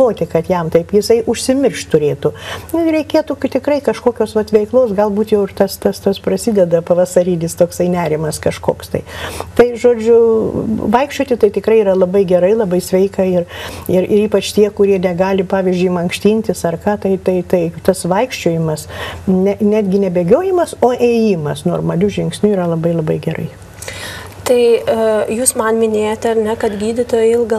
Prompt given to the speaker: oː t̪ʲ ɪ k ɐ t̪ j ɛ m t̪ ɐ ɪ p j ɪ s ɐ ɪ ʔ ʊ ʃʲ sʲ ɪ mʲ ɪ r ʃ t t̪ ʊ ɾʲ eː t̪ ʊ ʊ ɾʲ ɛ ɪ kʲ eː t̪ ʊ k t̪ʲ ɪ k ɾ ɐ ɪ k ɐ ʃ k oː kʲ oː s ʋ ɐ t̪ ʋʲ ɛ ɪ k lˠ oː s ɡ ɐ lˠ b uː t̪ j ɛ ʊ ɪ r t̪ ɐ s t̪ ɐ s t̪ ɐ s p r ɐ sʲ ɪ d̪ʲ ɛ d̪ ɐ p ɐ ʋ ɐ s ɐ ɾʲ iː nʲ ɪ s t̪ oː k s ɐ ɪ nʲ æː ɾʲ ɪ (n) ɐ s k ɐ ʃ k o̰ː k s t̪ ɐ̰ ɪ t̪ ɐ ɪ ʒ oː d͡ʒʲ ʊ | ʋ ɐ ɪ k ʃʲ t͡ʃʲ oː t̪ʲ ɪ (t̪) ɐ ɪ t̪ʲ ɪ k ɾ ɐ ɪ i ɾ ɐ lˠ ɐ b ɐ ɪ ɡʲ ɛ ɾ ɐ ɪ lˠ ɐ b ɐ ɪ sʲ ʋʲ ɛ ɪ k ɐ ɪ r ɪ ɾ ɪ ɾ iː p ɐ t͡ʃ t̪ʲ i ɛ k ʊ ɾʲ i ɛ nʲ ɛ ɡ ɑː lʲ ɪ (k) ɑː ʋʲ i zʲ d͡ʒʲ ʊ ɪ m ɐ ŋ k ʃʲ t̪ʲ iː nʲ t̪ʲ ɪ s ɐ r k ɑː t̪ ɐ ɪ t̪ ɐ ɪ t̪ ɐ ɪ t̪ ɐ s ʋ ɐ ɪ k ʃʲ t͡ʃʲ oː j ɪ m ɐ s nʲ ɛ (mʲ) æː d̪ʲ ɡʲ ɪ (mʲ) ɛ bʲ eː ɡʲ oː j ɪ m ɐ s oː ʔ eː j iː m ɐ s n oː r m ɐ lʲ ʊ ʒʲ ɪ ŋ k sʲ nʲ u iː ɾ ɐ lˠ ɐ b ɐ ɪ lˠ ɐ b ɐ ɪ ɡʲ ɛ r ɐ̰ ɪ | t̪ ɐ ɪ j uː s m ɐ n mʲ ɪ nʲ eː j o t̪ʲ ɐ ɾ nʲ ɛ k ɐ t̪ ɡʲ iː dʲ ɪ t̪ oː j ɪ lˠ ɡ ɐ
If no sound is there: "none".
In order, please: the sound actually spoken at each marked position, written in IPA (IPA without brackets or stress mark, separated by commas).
m, t̪, p, nʲ, nʲ